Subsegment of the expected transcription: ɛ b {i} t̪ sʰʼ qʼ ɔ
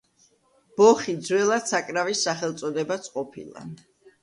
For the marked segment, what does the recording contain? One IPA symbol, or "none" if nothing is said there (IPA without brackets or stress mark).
a